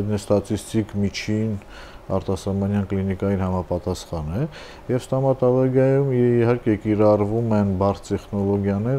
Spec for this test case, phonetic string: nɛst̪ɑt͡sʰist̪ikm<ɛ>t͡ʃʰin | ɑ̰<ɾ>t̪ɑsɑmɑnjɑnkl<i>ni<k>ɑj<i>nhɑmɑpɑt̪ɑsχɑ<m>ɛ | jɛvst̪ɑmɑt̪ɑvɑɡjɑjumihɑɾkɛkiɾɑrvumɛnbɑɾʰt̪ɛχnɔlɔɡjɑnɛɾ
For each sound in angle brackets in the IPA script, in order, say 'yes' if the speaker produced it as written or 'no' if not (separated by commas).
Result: no, yes, yes, yes, yes, no